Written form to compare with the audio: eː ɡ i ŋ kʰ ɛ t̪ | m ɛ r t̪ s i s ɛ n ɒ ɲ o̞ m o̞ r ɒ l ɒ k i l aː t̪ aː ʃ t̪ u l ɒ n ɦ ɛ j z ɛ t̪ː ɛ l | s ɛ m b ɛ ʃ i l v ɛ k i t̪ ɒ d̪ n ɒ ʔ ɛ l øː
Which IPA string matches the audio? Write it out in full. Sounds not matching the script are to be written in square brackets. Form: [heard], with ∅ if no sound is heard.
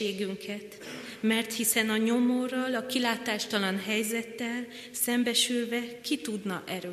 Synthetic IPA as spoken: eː ɡ [y] ŋ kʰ ɛ t̪ | m ɛ r t̪ [h] i s ɛ n ɒ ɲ o̞ m o̞ r ɒ l ɒ k i l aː t̪ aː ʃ t̪ [ɒ] l ɒ n ɦ ɛ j z ɛ t̪ː ɛ l | s ɛ m b ɛ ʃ [y] l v ɛ k i t̪ [u] d̪ n ɒ ʔ ɛ [ɾ] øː